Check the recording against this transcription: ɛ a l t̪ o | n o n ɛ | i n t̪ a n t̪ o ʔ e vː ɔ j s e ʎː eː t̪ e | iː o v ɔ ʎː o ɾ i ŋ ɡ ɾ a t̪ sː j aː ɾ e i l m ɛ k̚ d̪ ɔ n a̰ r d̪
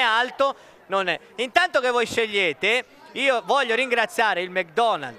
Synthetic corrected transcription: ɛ a l t̪ o | n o n ɛ | i n t̪ a n t̪ o k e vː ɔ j ʃ e ʎː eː t̪ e | iː o v ɔ ʎː o ɾ i ŋ ɡ ɾ a t̪ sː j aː ɾ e i l m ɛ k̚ d̪ ɔ n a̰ l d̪